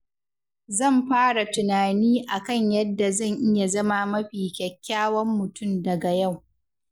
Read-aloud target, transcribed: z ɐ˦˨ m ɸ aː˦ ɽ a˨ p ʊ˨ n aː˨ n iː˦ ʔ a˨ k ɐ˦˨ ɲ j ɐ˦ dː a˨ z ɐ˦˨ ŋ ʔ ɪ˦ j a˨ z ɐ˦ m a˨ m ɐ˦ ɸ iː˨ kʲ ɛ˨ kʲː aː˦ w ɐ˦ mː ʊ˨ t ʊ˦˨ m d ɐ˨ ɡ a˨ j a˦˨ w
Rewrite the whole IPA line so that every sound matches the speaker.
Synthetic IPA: z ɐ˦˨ m ɸ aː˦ ɽ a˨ t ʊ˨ n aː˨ n iː˦ ʔ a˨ k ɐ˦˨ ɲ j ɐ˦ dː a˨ z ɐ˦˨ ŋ ʔ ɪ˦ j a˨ z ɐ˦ m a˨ m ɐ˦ ɸ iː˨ kʲ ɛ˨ kʲː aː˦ w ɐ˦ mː ʊ˨ t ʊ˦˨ m d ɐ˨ ɡ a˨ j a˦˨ w